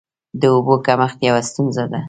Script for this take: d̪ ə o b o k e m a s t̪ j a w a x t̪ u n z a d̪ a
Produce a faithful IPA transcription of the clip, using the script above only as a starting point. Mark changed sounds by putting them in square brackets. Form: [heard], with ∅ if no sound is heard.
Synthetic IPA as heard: d̪ ə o b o k [a] m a [x] t̪ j a w a [s] t̪ u n z a d̪ a